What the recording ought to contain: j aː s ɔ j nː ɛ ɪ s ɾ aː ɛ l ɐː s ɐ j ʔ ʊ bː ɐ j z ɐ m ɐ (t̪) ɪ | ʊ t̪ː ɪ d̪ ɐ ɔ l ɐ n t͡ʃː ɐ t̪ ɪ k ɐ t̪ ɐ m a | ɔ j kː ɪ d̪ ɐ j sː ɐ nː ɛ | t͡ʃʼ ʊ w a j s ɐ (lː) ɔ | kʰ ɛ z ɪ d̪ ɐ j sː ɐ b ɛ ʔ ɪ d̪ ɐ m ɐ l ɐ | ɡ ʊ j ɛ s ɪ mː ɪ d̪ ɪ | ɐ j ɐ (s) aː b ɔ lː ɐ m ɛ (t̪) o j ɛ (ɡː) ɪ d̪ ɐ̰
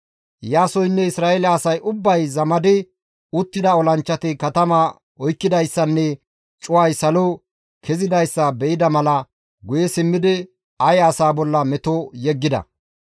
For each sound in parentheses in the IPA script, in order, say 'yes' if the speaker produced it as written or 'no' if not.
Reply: no, no, yes, yes, yes

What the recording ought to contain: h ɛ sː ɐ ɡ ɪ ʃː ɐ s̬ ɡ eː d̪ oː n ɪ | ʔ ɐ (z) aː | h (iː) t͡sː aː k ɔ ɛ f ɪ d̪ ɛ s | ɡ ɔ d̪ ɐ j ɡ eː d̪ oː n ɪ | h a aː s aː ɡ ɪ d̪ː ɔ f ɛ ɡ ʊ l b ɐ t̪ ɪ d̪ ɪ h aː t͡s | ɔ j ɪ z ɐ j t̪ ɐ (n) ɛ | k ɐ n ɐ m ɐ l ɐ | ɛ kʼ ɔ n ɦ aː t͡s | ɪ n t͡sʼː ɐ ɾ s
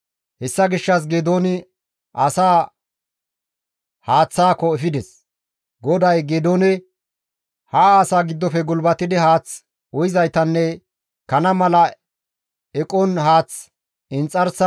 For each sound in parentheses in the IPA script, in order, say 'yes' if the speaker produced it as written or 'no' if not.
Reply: no, no, no

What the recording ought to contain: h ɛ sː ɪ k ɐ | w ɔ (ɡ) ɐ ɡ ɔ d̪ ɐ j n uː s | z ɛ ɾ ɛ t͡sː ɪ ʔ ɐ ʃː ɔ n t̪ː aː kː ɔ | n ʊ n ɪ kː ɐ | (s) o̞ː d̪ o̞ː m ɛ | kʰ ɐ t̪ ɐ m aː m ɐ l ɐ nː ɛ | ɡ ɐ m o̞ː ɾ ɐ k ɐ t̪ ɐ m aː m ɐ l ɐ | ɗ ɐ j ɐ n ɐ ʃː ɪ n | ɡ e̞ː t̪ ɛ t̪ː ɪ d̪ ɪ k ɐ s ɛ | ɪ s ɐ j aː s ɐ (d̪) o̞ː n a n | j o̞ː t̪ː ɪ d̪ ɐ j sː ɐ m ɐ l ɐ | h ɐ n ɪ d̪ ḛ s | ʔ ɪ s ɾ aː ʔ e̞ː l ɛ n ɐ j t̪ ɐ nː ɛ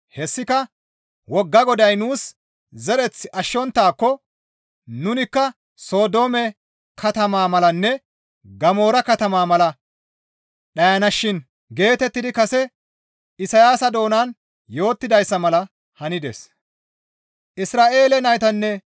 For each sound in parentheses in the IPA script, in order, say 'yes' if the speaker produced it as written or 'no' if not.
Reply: no, yes, yes

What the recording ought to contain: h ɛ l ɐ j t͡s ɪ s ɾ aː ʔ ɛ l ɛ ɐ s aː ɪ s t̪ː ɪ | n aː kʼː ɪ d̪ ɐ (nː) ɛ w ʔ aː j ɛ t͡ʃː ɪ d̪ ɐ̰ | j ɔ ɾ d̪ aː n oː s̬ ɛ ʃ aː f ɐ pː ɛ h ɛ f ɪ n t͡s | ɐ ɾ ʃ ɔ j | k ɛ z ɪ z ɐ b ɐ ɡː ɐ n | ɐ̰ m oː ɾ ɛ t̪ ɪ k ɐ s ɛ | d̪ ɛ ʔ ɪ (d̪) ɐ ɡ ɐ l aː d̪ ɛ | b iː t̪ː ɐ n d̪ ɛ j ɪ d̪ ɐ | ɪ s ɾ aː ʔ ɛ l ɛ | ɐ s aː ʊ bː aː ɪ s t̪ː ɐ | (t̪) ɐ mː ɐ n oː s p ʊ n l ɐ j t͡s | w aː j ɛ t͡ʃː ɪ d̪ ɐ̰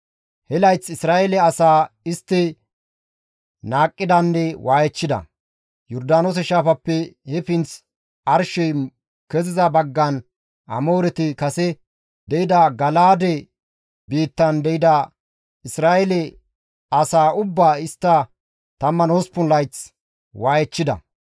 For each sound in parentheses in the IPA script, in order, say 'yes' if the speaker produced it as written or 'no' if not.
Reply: yes, yes, yes

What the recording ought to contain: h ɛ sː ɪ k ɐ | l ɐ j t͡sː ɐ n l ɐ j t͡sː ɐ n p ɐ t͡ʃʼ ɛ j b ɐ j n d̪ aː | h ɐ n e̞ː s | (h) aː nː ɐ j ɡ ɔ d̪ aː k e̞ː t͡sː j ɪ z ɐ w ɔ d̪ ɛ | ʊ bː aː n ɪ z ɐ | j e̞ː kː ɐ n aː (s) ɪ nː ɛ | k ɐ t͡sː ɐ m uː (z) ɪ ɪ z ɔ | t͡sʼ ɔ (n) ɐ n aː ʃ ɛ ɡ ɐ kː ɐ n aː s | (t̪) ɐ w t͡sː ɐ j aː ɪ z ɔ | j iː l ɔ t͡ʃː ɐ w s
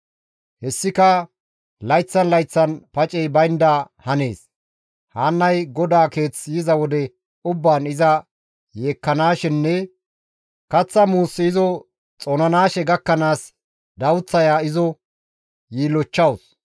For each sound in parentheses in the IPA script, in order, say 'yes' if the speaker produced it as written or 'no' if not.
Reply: yes, no, no, yes, no

